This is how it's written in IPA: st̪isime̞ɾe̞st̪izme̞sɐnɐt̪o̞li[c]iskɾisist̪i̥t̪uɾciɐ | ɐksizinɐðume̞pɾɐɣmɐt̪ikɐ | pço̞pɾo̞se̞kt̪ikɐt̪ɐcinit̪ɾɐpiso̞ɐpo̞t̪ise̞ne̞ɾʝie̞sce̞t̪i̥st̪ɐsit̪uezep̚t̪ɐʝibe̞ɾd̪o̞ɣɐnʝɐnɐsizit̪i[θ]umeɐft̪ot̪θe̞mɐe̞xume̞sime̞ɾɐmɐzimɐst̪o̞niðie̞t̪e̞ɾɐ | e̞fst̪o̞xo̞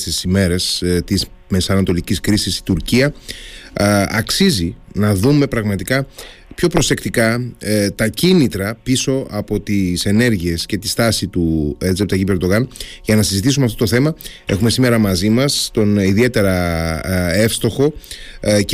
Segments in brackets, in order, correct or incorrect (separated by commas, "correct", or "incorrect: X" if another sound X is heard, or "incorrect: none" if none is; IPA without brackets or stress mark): correct, incorrect: s